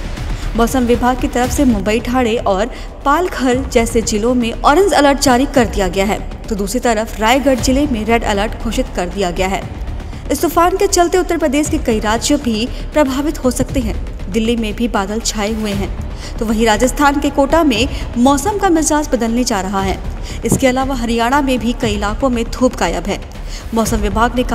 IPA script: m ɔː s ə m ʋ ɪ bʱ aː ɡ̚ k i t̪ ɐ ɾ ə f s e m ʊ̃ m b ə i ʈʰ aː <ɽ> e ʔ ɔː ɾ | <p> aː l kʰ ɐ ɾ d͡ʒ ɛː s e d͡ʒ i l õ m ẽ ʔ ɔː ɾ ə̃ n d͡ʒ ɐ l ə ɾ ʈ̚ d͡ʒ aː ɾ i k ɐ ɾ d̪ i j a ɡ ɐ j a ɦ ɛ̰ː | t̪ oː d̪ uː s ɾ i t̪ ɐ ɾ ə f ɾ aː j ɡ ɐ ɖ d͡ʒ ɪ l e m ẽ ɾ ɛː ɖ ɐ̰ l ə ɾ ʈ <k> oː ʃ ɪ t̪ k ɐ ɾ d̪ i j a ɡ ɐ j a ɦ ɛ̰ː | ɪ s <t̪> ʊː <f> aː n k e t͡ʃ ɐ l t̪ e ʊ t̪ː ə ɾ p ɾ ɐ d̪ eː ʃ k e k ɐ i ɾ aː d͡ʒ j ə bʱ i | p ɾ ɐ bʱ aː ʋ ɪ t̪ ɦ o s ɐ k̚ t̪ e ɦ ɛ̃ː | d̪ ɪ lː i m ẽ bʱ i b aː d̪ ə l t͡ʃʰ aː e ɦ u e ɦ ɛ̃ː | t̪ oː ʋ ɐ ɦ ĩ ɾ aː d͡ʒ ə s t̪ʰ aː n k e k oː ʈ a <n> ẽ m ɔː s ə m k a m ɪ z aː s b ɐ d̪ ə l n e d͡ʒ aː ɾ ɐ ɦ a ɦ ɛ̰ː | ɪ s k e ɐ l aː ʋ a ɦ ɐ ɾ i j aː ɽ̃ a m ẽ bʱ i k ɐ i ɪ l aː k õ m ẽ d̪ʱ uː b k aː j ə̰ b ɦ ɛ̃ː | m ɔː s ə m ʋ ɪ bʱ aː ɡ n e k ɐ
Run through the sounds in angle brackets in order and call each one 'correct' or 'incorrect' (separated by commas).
correct, correct, incorrect, correct, correct, incorrect